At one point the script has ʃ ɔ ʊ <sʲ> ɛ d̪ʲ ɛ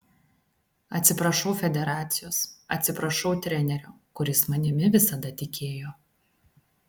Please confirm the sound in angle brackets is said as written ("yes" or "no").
no